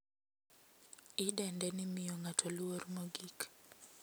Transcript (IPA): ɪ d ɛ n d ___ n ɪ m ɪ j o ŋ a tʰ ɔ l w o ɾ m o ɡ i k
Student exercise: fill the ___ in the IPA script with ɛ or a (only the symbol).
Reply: ɛ